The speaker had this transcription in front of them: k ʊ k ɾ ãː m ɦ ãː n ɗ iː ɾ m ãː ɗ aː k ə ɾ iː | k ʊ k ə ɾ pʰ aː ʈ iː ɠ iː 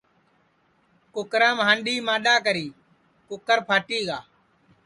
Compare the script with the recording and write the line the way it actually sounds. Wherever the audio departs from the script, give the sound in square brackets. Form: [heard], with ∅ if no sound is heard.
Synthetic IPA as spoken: k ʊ k ɾ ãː m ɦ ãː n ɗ iː [∅] m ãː ɗ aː k ə ɾ iː | k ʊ k ə ɾ pʰ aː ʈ iː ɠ [aː]